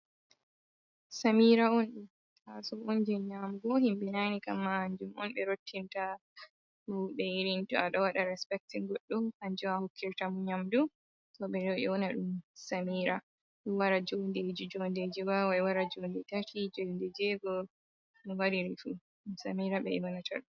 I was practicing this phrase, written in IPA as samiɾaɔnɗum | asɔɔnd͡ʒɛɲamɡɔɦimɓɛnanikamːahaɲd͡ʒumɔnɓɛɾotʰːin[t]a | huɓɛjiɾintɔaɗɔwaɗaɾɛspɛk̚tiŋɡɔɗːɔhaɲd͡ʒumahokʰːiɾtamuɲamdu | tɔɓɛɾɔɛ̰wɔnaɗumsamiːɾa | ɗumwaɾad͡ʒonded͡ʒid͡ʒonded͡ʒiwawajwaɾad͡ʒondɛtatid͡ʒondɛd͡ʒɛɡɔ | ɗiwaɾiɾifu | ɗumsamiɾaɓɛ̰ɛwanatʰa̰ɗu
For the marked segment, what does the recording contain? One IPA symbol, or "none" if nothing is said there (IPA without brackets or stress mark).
t